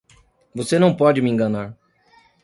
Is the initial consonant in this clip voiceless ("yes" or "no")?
no